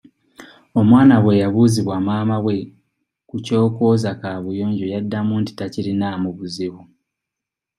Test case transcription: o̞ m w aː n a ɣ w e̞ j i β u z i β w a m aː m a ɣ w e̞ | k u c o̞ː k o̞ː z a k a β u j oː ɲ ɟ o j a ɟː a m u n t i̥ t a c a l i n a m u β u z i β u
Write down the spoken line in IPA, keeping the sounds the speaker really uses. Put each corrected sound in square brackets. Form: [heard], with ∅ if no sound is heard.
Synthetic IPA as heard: o̞ m w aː n a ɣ w e̞ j [a] β u z i β w a m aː m a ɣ w e̞ | k u c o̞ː k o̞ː z a k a β u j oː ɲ ɟ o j a [dː] a m u n t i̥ t a c [i] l i n a m u β u z i β u